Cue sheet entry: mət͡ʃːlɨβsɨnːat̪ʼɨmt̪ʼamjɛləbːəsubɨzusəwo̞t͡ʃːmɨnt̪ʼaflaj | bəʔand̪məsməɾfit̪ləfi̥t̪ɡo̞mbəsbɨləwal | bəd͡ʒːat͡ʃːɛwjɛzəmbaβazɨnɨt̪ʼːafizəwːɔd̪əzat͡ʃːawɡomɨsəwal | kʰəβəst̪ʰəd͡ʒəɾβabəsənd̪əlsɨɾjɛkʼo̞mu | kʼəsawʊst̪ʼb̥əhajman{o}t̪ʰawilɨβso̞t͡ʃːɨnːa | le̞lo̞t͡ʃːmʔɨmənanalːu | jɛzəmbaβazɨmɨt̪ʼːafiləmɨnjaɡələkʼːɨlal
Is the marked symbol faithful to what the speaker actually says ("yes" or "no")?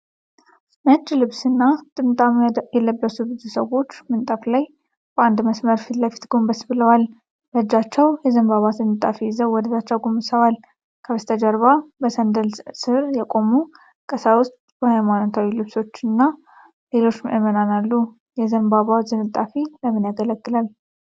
yes